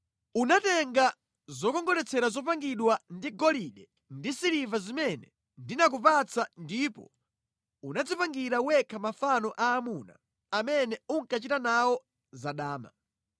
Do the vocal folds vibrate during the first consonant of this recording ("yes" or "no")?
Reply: yes